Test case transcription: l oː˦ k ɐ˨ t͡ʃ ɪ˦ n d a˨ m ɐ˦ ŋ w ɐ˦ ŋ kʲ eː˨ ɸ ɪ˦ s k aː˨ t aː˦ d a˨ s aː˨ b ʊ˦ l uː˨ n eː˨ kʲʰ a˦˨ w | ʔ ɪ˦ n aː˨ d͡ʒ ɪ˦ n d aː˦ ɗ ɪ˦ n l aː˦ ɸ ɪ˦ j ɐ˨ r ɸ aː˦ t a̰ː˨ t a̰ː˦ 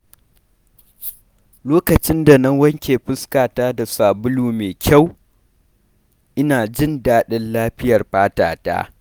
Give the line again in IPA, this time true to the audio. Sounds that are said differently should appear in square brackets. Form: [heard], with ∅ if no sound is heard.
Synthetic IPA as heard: l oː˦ k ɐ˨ t͡ʃ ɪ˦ n d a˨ [n] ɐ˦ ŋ w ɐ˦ ŋ kʲ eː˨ ɸ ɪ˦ s k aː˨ t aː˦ d a˨ s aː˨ b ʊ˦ l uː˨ [m] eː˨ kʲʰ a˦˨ w | ʔ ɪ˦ n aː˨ d͡ʒ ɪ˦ n d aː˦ ɗ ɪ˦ n l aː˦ ɸ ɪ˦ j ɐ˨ r ɸ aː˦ t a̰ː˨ t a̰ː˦